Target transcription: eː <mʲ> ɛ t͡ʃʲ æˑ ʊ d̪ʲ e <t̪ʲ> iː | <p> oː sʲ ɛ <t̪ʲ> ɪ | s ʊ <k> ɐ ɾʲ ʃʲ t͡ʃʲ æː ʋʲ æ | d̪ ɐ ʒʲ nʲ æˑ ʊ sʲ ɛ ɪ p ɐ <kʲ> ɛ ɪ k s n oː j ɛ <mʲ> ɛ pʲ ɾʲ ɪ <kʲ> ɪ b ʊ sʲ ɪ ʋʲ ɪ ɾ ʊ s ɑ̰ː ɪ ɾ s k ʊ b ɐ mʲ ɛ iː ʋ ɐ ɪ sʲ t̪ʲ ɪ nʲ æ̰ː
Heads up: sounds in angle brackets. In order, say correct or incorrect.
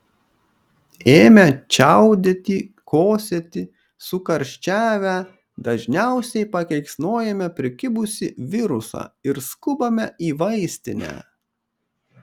correct, correct, incorrect: k, correct, correct, correct, correct, correct

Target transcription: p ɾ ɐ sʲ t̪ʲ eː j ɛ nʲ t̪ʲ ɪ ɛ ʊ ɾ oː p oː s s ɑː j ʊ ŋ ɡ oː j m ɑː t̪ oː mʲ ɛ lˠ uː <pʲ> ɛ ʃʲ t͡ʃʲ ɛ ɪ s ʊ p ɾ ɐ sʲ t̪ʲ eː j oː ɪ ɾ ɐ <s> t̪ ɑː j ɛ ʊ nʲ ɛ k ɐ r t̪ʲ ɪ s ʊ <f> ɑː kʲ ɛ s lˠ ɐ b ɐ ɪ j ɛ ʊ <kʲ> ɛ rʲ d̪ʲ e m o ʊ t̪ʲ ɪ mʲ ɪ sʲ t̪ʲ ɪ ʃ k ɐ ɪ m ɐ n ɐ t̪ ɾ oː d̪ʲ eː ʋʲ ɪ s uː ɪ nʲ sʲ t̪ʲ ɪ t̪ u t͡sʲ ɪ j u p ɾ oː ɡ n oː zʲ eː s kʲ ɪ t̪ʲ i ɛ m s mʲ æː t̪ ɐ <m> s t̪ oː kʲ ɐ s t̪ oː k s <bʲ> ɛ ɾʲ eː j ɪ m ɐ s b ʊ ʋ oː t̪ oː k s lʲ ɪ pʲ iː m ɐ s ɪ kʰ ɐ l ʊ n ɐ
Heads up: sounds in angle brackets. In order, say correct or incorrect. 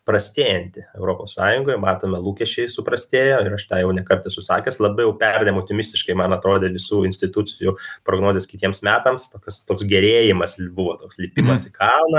incorrect: kʲ, incorrect: ʃ, incorrect: s, incorrect: pʲ, correct, incorrect: ɡʲ

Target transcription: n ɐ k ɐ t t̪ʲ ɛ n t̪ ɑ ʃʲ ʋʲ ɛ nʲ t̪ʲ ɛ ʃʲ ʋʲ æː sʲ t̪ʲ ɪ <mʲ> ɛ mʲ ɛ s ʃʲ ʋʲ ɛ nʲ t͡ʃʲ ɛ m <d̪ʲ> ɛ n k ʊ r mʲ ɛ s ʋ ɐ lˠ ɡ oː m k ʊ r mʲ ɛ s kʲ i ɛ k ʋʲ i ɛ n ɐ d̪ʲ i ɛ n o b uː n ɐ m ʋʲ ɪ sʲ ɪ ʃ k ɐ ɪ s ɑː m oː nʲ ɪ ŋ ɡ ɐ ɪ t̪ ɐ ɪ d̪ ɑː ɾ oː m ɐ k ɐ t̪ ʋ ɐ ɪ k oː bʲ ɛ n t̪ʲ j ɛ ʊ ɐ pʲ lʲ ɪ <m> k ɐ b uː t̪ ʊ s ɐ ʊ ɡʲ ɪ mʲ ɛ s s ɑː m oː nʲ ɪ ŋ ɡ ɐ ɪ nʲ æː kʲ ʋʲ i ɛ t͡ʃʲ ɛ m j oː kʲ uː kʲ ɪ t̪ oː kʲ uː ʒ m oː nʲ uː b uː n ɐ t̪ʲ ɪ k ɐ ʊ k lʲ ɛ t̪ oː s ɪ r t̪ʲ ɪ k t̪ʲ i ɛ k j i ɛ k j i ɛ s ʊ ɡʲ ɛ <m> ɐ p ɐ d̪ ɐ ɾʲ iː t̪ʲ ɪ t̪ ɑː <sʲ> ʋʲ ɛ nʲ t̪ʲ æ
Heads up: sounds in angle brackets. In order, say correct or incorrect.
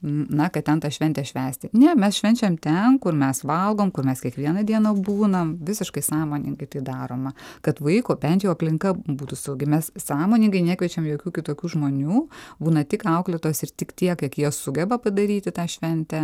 incorrect: nʲ, incorrect: t̪ʲ, incorrect: ŋ, incorrect: b, incorrect: ʃʲ

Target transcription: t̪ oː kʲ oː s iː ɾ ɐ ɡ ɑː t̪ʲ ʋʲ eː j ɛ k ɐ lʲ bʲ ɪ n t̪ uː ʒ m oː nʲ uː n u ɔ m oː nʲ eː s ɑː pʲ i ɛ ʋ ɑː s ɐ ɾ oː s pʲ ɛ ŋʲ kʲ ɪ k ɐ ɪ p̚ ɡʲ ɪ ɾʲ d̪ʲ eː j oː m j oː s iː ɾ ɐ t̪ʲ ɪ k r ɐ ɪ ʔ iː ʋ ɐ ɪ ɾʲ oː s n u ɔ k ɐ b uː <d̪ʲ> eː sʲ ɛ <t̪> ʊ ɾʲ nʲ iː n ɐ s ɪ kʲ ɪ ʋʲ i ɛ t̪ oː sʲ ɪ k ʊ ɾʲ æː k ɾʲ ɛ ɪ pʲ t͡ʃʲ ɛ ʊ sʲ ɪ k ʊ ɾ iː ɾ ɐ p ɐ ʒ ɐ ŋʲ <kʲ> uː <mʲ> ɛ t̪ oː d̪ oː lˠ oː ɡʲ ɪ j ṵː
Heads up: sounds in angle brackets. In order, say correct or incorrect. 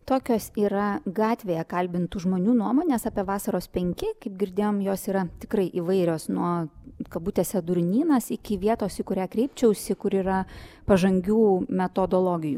incorrect: t̪ʲ, incorrect: d̪, incorrect: ɡʲ, correct

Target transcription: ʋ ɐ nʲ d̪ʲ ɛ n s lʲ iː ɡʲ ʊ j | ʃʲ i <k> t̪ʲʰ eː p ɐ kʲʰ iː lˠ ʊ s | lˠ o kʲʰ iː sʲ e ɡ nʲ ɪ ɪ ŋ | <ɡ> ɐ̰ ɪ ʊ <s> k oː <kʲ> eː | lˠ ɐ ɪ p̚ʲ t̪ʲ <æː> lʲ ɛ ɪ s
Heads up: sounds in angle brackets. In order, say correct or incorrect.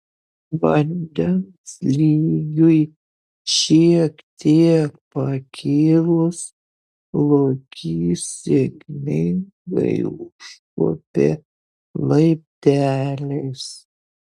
correct, correct, incorrect: ʃ, incorrect: pʲ, correct

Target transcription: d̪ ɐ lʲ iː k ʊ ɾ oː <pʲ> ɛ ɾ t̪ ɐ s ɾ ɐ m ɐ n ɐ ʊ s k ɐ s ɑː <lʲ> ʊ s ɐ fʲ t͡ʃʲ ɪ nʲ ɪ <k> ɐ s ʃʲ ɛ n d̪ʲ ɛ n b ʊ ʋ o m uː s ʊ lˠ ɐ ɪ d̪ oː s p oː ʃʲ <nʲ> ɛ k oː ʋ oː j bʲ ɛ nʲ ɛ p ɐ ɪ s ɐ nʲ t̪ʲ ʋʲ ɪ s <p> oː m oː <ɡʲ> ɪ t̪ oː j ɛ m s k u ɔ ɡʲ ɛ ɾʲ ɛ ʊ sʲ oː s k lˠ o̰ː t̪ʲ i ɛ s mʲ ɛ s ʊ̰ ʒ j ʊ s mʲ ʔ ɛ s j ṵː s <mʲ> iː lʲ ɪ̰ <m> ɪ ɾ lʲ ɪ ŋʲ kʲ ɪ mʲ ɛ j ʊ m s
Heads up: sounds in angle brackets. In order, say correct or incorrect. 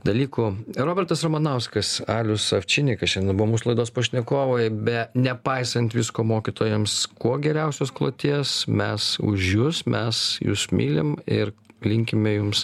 incorrect: bʲ, correct, correct, correct, incorrect: k, incorrect: kʲ, correct, correct

